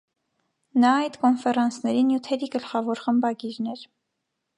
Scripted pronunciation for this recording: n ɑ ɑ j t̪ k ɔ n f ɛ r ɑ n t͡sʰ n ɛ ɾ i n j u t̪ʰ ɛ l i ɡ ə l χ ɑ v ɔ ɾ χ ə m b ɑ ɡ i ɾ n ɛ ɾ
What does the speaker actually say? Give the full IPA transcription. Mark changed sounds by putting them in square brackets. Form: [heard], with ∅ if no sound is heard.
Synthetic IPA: n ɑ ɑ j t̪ k ɔ n f ɛ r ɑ n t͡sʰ n ɛ ɾ i n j u t̪ʰ ɛ [ɾ] i ɡ ə l χ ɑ v ɔ ɾ χ ə m b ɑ ɡ i ɾ n ɛ ɾ